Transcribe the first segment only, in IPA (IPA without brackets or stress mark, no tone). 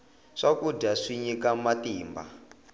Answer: ʂ